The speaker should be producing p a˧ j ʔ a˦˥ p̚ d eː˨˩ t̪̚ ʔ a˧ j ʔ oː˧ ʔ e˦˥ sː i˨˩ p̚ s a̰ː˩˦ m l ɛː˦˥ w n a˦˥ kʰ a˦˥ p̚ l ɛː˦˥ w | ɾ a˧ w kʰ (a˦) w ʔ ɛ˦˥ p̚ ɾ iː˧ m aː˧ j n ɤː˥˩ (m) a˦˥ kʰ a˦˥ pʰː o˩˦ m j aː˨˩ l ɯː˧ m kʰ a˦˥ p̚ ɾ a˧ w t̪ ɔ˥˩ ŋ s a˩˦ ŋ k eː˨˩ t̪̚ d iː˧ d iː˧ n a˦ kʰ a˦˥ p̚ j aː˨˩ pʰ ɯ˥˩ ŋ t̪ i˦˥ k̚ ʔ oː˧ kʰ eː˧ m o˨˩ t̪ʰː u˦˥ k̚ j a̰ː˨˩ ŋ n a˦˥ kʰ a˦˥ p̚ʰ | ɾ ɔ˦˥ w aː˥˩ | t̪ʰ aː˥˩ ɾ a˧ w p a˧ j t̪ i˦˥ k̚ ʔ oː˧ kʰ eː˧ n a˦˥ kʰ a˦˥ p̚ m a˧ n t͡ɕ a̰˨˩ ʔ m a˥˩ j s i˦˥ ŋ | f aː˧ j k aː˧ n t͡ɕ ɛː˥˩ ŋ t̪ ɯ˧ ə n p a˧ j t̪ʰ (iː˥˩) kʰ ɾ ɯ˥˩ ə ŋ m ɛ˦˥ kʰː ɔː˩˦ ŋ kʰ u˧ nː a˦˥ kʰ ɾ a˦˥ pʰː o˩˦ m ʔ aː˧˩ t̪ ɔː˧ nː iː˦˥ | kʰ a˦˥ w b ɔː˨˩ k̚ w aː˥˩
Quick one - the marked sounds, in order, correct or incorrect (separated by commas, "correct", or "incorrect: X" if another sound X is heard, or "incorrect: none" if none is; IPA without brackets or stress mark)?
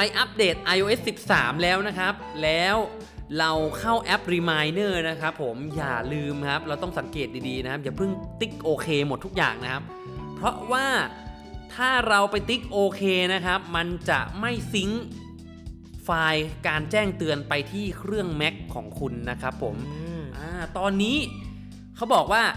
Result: incorrect: a˥˩, incorrect: n, correct